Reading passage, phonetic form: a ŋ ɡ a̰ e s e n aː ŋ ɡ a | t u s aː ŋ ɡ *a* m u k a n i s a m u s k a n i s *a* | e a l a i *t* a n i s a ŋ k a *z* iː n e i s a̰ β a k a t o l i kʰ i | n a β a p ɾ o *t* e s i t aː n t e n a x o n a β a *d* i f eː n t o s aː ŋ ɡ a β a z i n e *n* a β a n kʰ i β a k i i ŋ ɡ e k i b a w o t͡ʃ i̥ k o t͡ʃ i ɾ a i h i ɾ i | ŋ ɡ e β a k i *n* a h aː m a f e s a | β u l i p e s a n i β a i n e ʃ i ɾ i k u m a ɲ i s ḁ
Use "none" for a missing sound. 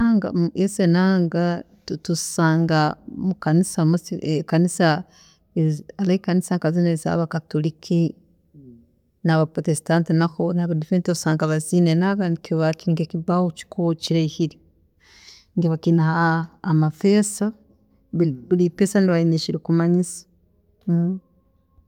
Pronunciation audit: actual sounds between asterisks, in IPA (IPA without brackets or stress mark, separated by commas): a, a, k, z, t, d, n, n